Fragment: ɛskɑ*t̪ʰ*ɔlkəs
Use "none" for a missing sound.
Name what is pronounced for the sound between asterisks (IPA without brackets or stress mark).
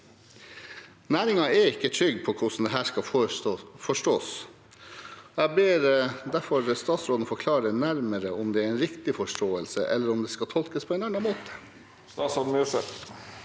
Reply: t̪ʰ